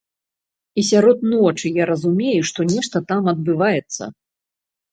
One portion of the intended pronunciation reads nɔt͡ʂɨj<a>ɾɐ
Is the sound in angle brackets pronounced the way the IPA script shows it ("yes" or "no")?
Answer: yes